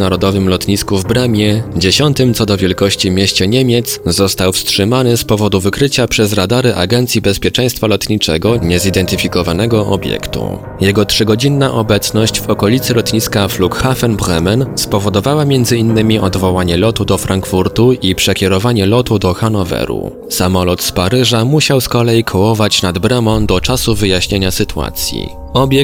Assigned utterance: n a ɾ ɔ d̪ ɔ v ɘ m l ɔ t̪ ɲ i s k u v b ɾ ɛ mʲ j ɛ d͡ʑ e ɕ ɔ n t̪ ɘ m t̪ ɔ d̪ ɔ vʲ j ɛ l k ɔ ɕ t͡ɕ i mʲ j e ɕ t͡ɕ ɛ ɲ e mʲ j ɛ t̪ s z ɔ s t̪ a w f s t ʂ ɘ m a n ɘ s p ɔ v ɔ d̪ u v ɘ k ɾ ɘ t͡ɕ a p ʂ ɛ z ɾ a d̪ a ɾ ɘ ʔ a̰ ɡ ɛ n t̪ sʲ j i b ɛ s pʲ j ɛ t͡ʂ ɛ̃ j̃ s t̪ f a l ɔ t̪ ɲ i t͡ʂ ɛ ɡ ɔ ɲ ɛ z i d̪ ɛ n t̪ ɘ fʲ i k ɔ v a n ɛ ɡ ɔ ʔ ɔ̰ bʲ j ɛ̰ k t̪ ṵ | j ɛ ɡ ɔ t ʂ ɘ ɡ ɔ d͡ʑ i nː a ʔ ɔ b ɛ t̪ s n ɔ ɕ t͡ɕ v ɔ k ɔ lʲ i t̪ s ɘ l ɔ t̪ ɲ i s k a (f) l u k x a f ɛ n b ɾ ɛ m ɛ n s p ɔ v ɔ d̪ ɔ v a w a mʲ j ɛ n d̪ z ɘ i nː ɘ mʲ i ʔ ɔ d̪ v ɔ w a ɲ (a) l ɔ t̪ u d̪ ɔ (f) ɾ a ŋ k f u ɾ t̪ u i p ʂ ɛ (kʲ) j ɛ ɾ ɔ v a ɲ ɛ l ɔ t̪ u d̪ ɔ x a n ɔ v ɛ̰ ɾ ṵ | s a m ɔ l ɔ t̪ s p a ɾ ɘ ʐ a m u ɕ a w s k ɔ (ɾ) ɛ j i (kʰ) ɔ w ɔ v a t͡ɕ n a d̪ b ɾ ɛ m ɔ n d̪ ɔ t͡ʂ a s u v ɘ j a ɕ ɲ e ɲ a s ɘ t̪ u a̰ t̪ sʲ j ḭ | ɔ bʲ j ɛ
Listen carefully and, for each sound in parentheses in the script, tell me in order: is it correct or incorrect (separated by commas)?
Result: correct, incorrect, correct, correct, incorrect, correct